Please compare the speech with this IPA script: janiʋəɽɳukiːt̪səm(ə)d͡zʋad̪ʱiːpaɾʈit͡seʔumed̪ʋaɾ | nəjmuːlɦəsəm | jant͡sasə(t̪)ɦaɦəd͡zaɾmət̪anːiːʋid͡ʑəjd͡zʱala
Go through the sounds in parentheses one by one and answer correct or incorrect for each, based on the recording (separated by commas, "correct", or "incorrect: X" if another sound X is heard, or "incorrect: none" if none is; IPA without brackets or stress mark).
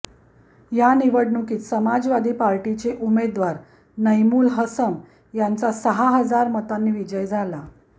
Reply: incorrect: a, incorrect: none